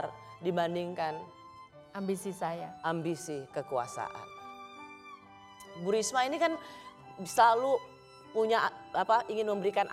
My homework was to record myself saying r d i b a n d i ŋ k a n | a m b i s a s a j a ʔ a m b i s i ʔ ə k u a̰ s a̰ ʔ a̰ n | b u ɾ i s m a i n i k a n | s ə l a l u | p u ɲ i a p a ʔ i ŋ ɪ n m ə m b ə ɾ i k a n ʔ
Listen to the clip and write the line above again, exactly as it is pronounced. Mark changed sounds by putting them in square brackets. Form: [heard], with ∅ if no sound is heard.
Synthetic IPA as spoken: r d i b a n d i ŋ k a n | a m b i s [i] s a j a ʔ a m b i s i [k] ə k u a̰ s a̰ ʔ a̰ n | b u ɾ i s m a i n i k a n | s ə l a l u | p u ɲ [a] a p a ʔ i ŋ ɪ n m ə m b ə ɾ i k a n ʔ